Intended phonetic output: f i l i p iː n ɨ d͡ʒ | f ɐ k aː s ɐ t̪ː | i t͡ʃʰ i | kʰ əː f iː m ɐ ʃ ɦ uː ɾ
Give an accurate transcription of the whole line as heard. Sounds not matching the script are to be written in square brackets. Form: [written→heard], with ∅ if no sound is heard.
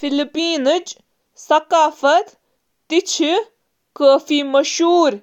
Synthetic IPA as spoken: f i l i p iː n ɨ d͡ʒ | [f→s] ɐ k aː [s→f] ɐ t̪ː | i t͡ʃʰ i | [kʰ→k] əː f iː m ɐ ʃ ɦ uː ɾ